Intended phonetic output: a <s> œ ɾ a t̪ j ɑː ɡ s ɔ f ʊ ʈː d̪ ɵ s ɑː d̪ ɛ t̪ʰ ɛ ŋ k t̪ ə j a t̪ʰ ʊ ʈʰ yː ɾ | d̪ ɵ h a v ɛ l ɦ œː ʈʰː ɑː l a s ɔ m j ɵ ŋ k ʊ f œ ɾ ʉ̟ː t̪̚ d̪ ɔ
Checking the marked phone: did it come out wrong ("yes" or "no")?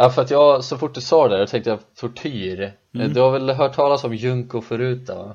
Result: yes